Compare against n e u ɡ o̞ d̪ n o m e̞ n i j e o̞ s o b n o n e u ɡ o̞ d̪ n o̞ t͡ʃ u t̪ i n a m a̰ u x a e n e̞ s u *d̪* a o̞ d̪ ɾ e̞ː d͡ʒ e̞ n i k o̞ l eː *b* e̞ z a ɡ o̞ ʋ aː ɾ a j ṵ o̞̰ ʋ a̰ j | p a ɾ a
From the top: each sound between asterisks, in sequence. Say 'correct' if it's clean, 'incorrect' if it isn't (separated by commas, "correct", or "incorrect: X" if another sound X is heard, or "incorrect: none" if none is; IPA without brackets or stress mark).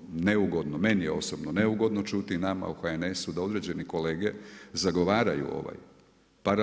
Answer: correct, incorrect: ɡ